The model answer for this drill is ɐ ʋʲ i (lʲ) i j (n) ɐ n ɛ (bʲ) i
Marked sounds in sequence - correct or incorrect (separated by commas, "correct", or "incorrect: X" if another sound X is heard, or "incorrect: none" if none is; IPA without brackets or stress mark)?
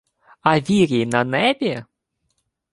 incorrect: ɾʲ, correct, correct